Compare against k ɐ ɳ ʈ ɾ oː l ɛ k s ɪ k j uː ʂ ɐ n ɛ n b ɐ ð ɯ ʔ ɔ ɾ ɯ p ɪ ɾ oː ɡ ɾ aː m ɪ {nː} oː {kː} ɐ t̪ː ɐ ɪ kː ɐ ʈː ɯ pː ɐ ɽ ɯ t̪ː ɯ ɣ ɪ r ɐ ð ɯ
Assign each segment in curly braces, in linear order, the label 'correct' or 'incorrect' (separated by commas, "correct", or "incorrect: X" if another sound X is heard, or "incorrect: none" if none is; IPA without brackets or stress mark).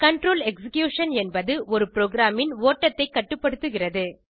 incorrect: n, incorrect: ʈː